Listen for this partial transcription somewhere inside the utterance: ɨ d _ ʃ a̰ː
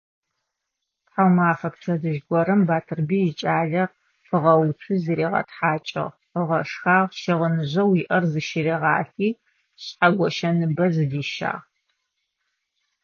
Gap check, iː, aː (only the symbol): iː